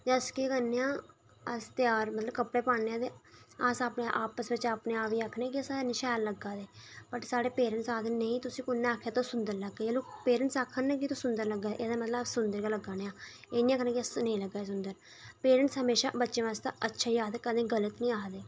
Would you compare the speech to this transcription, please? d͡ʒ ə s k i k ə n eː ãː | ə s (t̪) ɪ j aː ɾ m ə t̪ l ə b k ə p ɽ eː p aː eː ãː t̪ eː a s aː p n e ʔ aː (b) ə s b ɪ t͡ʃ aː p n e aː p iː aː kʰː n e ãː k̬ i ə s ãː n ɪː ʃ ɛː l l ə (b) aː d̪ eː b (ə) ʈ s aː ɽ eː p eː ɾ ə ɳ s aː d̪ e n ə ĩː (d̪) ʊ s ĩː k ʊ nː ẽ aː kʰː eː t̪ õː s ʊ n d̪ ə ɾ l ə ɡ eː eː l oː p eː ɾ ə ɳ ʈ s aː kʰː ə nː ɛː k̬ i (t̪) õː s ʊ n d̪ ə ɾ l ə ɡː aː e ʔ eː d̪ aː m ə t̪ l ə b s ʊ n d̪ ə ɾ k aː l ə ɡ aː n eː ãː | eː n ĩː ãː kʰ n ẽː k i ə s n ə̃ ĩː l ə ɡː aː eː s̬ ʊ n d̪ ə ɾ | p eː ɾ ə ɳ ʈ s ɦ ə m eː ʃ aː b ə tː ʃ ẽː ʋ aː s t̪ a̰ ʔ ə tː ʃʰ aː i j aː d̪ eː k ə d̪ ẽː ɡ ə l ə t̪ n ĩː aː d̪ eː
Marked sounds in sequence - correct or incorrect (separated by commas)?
correct, incorrect, incorrect, correct, incorrect, correct